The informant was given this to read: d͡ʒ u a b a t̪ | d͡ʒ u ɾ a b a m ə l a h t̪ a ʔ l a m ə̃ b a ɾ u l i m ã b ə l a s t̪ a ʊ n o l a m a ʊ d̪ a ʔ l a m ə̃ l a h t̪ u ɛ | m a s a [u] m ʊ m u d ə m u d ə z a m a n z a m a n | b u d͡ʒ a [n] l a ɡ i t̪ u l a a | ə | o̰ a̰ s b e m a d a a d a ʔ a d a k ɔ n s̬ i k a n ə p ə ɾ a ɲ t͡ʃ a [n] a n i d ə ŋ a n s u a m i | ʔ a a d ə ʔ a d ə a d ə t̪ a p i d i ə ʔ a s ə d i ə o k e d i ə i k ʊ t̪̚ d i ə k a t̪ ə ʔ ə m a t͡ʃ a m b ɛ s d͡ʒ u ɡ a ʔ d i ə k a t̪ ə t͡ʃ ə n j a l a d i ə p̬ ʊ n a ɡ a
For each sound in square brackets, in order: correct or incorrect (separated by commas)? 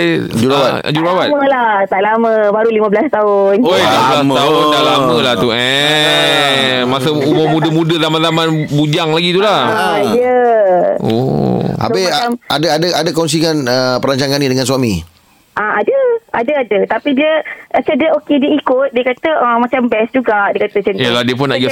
correct, incorrect, incorrect